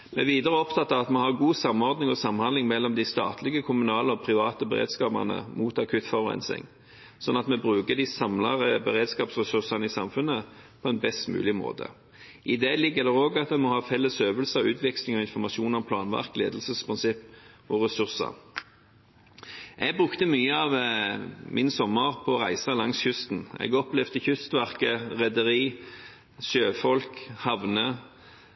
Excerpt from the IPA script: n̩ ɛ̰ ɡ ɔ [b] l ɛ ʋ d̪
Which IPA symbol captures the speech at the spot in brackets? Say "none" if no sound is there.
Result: p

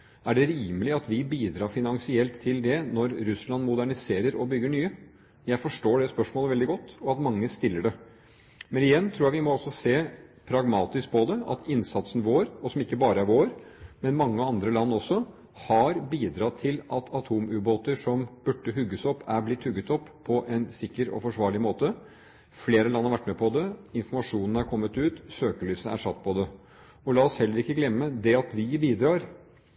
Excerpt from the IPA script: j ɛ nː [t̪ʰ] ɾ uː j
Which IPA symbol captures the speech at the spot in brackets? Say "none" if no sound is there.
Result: t̪ʰ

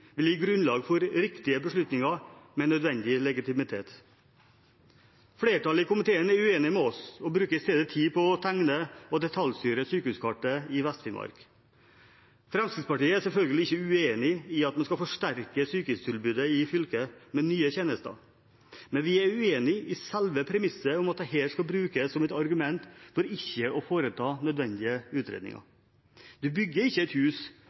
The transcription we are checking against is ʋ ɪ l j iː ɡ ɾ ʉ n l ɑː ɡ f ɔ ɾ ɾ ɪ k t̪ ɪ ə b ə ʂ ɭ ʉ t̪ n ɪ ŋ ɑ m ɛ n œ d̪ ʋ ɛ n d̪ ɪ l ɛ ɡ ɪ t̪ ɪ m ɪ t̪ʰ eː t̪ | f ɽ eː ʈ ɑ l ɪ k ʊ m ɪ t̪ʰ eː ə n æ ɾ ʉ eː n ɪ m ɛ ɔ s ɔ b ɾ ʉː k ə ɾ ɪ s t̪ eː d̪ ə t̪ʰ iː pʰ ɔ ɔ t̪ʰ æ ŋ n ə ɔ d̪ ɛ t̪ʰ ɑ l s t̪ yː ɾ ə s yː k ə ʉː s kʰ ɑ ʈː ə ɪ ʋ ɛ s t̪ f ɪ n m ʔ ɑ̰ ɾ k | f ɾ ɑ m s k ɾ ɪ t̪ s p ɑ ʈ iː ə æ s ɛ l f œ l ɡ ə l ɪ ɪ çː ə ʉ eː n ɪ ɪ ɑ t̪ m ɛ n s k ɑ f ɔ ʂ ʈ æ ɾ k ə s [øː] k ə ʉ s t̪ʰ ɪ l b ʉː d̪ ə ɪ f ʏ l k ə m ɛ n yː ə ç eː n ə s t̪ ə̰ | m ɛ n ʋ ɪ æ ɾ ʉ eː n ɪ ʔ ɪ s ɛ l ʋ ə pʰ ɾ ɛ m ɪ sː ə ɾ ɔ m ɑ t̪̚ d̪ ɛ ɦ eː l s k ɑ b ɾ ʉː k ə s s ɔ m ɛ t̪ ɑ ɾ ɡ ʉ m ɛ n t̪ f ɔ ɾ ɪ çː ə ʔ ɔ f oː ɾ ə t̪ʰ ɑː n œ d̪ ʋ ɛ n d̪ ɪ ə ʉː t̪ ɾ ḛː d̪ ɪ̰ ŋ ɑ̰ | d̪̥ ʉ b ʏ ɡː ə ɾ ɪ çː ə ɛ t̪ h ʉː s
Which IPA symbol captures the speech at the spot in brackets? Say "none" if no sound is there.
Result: yː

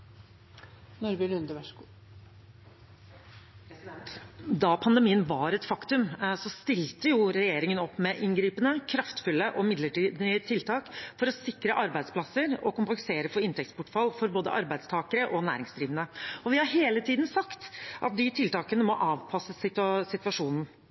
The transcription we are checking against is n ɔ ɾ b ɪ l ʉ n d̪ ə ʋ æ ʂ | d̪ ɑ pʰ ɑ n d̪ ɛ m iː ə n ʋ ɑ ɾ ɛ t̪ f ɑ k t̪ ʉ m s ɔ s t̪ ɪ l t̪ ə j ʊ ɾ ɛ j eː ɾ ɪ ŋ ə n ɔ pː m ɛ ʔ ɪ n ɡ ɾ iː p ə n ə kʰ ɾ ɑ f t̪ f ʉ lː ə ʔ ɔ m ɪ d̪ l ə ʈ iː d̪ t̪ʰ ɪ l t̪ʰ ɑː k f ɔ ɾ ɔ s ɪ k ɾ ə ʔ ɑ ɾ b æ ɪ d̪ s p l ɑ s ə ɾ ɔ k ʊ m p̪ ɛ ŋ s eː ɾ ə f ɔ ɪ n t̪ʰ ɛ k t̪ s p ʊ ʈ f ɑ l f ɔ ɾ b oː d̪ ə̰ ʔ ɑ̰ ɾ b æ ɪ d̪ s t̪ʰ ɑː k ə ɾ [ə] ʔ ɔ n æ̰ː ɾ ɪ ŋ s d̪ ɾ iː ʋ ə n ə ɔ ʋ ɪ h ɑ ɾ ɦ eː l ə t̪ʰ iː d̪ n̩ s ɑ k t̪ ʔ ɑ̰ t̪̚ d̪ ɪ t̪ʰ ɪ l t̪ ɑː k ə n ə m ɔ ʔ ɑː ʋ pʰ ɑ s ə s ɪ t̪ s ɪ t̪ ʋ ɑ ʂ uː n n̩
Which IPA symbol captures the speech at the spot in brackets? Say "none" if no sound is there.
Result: ə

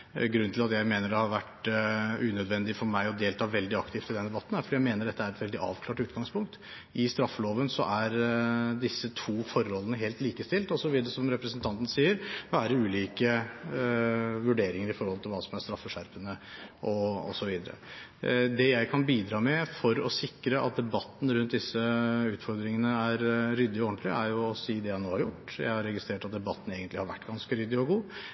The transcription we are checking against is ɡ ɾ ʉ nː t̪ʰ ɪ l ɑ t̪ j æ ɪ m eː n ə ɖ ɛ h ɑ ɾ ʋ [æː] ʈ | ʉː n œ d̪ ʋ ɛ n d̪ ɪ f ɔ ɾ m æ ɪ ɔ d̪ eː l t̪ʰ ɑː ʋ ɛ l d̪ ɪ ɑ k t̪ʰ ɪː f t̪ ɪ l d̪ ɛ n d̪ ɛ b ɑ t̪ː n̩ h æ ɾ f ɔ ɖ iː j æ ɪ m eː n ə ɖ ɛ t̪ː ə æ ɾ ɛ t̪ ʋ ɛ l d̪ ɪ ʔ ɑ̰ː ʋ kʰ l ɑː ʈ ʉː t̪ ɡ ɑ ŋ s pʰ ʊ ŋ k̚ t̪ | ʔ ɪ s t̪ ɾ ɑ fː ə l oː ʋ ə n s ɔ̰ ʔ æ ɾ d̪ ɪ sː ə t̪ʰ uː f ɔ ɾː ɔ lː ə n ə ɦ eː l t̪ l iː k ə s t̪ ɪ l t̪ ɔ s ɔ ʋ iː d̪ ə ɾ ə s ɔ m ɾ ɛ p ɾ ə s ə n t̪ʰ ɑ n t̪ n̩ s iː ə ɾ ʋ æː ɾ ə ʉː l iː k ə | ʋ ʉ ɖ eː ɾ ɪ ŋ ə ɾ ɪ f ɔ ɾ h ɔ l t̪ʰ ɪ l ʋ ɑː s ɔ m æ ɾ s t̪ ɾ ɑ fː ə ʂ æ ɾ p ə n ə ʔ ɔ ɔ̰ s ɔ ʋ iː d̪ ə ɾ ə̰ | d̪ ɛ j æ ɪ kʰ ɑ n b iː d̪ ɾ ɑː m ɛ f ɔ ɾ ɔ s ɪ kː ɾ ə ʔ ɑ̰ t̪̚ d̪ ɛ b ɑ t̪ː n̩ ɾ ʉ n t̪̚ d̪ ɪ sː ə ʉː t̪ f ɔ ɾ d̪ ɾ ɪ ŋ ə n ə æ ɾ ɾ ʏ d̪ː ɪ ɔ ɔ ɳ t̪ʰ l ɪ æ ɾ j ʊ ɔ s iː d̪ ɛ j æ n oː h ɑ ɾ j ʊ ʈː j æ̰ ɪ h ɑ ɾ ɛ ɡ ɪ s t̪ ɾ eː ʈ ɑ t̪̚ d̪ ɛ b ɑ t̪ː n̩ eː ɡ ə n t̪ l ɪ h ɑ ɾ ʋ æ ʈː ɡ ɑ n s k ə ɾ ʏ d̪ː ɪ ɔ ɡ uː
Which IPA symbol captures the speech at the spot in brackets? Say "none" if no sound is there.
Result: æ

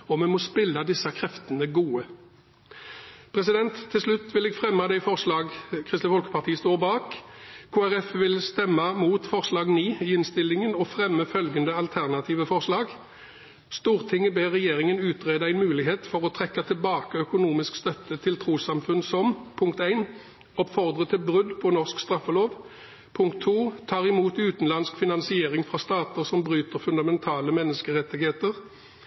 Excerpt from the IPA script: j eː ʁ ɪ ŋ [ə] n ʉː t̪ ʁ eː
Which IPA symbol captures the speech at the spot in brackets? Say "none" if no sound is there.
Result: ə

